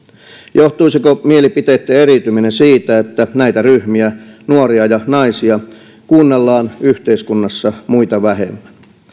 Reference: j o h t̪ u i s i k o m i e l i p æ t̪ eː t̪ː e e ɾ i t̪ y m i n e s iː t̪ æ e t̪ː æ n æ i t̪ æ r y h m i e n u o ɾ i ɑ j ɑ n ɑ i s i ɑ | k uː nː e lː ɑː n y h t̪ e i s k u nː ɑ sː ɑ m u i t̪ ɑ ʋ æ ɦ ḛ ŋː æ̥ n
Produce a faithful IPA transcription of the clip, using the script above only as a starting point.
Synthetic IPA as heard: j o h t̪ u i s i k o m i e l i p i t̪ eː t̪ː e e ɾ i t̪ y m i n e s iː t̪ æ e t̪ː æ n æ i t̪ æ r y h m i æ n u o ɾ i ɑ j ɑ n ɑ i s i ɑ | k uː nː e lː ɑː n y h t̪ e i s k u nː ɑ sː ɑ m u i t̪ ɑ ʋ æ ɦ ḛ mː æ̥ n